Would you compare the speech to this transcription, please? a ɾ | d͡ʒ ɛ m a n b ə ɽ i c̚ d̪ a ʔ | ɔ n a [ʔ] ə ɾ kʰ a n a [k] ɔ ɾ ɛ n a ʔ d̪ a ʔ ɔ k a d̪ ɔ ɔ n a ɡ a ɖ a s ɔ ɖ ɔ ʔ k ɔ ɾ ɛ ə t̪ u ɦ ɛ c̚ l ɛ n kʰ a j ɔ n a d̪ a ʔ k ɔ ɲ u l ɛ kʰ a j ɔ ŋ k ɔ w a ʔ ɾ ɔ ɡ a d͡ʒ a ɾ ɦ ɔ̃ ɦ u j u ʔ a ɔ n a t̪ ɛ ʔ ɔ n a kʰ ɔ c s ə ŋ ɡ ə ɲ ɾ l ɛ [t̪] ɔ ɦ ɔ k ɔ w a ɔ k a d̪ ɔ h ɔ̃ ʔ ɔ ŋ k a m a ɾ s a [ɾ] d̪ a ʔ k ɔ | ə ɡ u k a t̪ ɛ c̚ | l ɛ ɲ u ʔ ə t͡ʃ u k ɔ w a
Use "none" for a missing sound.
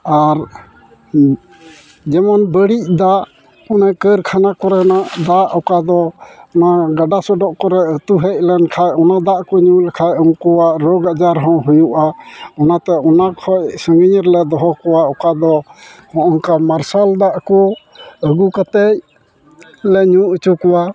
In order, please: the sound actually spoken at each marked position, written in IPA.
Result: k, k, d̪, l

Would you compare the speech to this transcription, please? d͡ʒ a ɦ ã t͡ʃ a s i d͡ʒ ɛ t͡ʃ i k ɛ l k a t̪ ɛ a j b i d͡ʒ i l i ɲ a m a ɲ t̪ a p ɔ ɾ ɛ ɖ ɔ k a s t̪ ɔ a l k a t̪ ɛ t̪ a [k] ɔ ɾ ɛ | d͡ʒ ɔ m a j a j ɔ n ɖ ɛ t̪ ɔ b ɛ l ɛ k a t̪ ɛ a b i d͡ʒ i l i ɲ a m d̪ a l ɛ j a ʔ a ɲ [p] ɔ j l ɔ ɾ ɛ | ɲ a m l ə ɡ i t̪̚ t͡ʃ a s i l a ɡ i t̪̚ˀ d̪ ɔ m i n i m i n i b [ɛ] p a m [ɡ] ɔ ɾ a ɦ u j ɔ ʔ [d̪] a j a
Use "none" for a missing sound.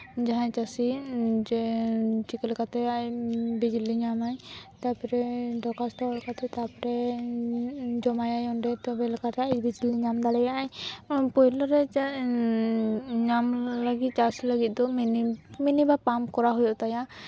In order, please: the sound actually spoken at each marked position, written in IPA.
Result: p, p, a, k, t̪

